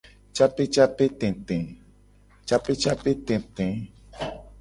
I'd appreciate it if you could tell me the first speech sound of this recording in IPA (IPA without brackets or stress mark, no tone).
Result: t͡ʃ